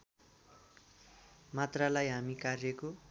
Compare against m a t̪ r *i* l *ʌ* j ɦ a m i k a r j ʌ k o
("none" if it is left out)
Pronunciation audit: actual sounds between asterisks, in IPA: a, a

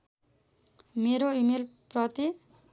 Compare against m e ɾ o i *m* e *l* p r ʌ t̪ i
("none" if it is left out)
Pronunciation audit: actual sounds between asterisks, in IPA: m, l

